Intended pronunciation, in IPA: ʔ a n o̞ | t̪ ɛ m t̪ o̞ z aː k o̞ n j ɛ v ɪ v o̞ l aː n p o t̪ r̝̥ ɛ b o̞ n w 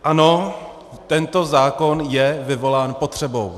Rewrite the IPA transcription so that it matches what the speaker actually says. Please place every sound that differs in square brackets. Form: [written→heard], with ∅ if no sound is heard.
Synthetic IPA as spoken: ʔ a n o̞ | t̪ ɛ [m→n] t̪ o̞ z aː k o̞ n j ɛ v ɪ v o̞ l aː n p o t̪ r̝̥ ɛ b o̞ [n→∅] w